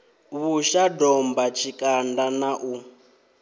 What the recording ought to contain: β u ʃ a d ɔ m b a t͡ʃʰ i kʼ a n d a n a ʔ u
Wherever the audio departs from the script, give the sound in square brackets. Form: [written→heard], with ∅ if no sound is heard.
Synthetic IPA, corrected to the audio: β u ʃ a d ɔ m b a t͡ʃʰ i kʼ a n d a n a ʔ u